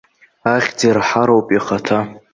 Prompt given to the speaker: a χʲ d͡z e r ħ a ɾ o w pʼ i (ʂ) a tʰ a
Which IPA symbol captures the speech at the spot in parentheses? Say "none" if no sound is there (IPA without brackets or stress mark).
χ